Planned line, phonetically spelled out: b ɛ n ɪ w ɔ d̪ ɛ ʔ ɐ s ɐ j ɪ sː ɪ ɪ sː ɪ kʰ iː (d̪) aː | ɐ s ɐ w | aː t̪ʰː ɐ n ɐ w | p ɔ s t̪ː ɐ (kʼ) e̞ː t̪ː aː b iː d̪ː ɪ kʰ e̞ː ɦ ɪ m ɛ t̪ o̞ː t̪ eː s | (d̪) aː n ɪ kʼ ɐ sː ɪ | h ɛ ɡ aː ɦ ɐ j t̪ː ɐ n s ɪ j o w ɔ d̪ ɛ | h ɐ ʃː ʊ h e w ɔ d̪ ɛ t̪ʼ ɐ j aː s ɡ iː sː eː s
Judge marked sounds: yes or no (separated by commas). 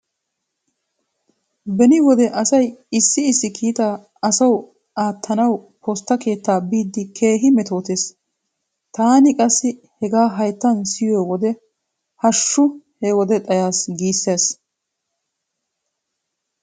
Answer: no, no, no